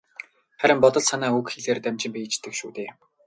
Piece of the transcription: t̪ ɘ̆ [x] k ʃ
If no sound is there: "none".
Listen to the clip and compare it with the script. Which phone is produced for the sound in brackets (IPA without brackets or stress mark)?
none